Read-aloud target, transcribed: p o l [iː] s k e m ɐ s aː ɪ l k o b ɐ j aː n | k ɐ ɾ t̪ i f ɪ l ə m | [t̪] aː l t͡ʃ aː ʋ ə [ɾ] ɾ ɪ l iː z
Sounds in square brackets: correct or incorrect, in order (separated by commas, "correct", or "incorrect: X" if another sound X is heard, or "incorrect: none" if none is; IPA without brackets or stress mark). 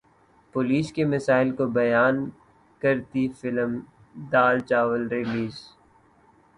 correct, incorrect: d̪, incorrect: l